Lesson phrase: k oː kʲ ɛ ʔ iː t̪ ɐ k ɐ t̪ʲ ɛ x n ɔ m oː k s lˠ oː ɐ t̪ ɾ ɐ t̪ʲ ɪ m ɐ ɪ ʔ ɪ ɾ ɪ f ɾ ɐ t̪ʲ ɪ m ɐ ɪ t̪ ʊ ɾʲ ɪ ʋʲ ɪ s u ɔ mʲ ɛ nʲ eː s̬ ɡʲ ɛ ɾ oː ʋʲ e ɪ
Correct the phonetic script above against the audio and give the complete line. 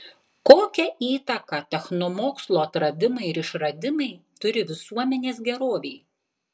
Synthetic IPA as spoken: k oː kʲ ɛ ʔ iː t̪ ɐ k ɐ t̪ʲ ɛ x n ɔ m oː k s lˠ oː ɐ t̪ ɾ ɐ d̪ʲ ɪ m ɐ ɪ ɪ ɾ ɪ ʃ ɾ ɐ d̪ʲ ɪ m ɐ ɪ t̪ ʊ ɾʲ ɪ ʋʲ ɪ s u ɔ mʲ ɛ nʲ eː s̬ ɡʲ ɛ ɾ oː ʋʲ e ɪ